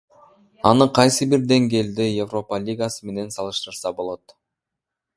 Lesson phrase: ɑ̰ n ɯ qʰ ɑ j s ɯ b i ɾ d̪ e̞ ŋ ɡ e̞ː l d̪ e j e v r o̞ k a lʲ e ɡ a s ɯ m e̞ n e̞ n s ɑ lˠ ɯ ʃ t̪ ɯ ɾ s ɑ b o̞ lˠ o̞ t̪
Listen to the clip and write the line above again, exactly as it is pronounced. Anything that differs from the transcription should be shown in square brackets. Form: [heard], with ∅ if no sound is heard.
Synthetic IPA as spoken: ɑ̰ n ɯ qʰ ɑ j s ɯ b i ɾ d̪ e̞ ŋ ɡ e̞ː l d̪ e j e v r o̞ [p] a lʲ [i] ɡ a s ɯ m e̞ n e̞ n s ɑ lˠ ɯ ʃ t̪ ɯ ɾ s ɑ b o̞ lˠ o̞ t̪